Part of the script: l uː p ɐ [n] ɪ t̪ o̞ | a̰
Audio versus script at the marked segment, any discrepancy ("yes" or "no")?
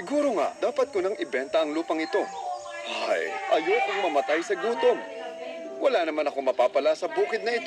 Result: yes